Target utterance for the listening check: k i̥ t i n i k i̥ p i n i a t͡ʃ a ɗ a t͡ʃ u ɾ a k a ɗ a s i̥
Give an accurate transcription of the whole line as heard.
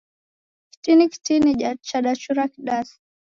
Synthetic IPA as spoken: k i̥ t i n i k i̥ t i n i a t͡ʃ a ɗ a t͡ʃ u ɾ a k i ɗ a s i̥